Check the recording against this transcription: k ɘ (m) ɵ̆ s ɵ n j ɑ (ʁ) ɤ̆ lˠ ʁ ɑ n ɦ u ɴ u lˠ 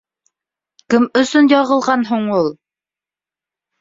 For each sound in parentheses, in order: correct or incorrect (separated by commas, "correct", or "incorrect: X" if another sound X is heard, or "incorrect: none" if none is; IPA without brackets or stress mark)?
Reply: correct, correct